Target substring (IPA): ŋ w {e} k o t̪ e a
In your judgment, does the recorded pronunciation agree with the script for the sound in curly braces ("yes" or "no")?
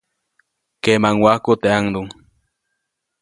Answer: no